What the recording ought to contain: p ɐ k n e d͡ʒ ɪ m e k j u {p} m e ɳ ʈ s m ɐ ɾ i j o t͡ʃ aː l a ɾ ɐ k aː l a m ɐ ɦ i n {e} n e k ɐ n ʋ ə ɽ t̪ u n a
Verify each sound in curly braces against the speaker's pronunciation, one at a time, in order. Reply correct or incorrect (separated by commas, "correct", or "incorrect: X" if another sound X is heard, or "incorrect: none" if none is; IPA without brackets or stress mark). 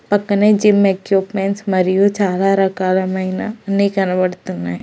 correct, incorrect: a